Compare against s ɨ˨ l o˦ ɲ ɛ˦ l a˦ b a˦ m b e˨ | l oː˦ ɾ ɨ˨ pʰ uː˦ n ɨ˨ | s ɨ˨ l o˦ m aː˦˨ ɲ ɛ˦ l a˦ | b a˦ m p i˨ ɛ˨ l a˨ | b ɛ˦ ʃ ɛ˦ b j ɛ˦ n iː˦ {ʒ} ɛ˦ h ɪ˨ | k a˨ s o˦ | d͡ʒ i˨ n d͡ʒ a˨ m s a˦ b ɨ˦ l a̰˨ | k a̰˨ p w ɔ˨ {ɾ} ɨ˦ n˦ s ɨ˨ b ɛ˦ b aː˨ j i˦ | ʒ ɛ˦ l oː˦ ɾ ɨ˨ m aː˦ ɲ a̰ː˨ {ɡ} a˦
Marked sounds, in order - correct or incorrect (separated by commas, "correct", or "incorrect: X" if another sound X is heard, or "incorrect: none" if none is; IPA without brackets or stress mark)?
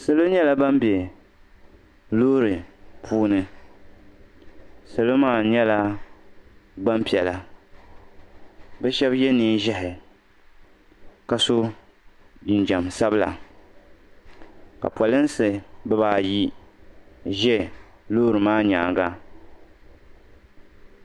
correct, incorrect: l, correct